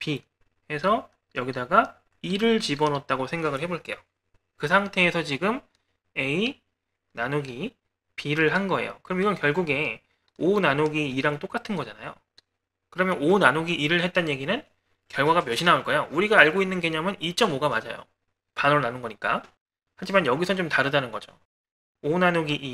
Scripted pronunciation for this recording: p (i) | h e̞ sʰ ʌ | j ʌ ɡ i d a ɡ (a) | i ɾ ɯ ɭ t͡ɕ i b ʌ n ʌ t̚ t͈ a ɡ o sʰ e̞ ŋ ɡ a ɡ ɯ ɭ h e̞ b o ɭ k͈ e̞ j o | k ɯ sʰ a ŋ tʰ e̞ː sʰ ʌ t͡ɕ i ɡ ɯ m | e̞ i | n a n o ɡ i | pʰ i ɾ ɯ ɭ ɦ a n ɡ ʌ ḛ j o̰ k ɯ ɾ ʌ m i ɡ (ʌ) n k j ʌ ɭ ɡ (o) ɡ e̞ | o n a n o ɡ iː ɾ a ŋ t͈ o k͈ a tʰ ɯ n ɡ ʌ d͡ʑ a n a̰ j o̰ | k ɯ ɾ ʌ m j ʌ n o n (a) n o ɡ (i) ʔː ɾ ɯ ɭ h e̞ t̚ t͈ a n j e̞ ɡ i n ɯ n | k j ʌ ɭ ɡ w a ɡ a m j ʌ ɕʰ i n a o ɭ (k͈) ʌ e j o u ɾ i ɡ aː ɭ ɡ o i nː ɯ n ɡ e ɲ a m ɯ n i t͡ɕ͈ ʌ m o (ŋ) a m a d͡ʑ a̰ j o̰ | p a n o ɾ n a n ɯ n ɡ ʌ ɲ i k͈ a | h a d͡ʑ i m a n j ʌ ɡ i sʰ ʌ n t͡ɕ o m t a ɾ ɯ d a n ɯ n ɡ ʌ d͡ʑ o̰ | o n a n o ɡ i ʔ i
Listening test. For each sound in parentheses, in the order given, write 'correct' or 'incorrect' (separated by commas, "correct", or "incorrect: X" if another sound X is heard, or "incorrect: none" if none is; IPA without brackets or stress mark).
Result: correct, correct, correct, incorrect: u, correct, correct, correct, incorrect: ɡ